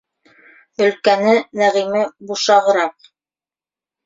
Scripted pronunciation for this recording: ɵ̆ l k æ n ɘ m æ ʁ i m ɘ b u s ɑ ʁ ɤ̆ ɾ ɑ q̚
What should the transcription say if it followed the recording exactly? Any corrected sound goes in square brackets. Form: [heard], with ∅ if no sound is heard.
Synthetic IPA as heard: ɵ̆ l k æ n ɘ [n] æ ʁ i m ɘ b u [ʃ] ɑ ʁ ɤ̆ ɾ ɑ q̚